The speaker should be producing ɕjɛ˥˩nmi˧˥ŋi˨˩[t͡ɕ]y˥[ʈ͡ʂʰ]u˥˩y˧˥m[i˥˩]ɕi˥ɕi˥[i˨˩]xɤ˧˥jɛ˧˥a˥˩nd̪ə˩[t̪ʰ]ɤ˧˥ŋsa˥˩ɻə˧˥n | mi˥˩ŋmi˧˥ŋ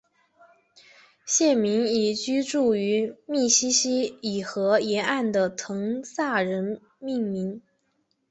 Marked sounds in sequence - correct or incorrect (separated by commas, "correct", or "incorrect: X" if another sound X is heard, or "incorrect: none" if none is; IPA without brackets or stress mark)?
correct, incorrect: ʈ͡ʂ, correct, correct, correct